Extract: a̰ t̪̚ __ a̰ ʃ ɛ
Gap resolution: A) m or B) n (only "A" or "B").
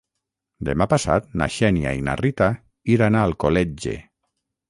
B